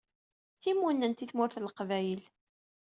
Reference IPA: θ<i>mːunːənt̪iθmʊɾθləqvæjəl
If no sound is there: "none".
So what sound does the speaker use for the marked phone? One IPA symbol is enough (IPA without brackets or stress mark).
i